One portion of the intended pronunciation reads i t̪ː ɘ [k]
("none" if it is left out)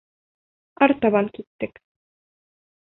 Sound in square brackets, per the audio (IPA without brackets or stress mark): k